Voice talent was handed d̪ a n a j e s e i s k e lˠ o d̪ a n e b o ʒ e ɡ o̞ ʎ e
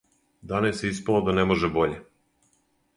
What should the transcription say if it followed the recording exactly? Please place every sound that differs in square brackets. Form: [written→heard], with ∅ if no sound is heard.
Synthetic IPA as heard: d̪ a n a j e s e i s [k→p] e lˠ o d̪ a n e [b→m] o ʒ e [ɡ→b] o̞ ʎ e